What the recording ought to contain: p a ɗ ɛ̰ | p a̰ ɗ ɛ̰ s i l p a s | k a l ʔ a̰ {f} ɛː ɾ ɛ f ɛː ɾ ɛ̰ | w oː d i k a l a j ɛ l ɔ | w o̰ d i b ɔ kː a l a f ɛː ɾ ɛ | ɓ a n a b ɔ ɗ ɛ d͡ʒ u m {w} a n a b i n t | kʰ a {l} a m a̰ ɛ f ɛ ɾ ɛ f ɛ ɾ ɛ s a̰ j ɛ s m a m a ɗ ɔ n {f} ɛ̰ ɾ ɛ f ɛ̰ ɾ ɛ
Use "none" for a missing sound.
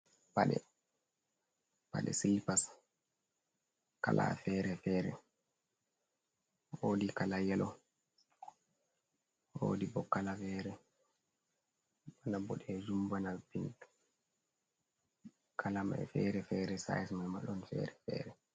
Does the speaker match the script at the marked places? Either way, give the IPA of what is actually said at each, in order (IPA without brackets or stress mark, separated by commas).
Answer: f, b, l, f